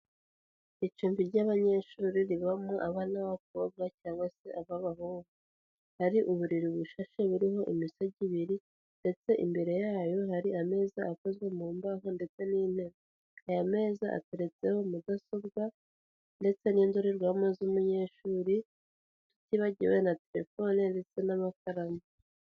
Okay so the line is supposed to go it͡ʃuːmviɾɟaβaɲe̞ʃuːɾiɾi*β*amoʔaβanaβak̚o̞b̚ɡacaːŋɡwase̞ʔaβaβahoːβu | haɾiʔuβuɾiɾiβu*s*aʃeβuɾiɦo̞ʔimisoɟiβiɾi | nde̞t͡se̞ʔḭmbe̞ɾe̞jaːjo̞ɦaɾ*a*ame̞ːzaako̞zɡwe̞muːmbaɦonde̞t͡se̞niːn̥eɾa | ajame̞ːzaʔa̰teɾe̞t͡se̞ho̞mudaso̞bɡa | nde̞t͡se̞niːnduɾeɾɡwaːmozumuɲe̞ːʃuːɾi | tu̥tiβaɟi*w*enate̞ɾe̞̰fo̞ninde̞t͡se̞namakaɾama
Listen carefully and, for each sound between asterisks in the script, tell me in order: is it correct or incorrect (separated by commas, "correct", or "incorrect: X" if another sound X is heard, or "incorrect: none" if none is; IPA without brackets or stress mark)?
correct, incorrect: ʃ, incorrect: i, correct